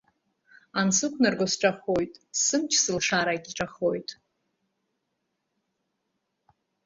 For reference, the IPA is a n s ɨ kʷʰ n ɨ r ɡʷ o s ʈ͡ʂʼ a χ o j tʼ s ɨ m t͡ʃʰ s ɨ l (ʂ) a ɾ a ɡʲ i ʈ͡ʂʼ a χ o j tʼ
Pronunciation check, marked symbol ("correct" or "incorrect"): correct